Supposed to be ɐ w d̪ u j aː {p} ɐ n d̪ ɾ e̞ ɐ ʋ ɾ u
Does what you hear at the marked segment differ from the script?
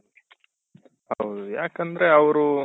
yes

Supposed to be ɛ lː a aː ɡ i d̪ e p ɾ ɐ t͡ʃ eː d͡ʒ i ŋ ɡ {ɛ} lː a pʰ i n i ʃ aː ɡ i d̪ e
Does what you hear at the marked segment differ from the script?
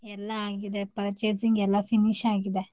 no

